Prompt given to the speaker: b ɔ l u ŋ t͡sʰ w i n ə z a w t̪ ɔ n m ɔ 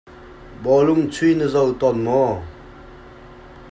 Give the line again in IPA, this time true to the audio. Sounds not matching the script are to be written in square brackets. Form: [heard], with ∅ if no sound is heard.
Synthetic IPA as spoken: b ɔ l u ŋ t͡sʰ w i n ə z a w t̪ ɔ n m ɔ